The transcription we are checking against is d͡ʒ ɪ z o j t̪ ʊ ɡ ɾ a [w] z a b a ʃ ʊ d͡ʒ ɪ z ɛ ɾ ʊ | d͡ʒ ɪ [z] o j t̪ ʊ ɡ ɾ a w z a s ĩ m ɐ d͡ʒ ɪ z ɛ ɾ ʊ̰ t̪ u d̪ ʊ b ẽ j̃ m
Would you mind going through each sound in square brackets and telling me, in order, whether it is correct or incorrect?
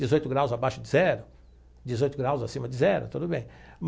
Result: correct, correct

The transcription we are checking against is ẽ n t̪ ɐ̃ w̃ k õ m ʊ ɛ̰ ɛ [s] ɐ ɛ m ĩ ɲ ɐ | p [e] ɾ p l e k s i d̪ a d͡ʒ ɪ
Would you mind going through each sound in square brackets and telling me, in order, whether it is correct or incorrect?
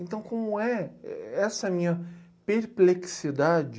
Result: correct, correct

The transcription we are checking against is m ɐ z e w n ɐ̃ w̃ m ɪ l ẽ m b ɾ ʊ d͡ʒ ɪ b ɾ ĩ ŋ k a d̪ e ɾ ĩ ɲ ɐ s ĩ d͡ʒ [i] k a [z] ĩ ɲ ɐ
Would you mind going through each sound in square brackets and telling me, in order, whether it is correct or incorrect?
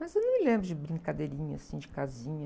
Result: incorrect, correct

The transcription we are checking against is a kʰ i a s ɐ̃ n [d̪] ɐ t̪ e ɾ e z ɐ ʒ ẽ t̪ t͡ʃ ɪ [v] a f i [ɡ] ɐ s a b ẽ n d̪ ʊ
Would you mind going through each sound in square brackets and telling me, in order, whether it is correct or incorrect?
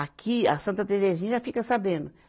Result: incorrect, incorrect, incorrect

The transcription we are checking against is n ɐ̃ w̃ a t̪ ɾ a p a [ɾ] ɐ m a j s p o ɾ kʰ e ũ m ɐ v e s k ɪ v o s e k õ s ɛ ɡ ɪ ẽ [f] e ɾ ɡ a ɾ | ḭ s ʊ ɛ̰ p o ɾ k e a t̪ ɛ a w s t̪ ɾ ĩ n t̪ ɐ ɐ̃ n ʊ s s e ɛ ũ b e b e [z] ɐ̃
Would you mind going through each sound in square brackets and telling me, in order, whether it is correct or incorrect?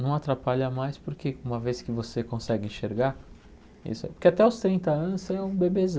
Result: incorrect, incorrect, correct

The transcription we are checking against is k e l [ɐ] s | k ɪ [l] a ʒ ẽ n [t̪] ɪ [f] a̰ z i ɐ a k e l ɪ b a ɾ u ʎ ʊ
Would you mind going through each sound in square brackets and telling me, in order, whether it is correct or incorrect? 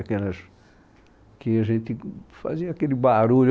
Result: correct, incorrect, correct, correct

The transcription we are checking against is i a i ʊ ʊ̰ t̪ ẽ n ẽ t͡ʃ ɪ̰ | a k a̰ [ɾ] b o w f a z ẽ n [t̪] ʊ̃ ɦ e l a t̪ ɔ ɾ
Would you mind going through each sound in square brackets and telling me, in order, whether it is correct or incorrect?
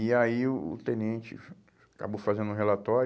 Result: incorrect, incorrect

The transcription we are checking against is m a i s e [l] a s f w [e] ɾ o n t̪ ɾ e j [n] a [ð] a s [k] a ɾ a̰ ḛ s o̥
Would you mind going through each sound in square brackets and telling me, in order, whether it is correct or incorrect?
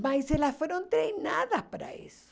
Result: correct, correct, correct, correct, incorrect

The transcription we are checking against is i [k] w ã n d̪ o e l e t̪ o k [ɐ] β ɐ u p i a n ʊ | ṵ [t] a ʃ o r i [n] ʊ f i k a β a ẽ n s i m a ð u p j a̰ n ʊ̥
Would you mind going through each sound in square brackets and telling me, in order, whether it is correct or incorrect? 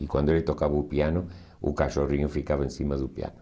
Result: correct, incorrect, incorrect, incorrect

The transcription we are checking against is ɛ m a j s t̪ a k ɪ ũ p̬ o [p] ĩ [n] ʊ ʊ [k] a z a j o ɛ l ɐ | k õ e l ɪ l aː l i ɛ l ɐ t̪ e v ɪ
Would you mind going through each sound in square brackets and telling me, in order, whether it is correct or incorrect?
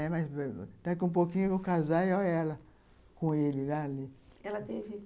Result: incorrect, incorrect, correct

